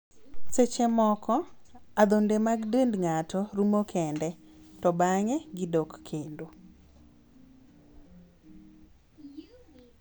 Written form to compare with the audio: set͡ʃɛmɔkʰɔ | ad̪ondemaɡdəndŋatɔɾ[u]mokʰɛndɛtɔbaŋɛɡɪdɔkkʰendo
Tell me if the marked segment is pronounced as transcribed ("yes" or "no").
yes